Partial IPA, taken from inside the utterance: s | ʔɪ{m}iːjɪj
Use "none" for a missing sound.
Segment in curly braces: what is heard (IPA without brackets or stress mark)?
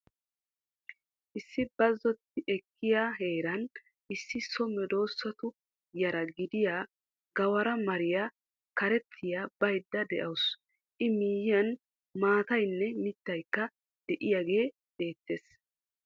m